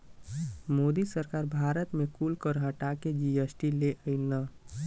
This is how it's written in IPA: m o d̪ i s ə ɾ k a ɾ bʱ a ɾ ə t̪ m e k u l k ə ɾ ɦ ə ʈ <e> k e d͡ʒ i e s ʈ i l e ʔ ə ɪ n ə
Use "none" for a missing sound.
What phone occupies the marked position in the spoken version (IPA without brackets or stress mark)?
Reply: a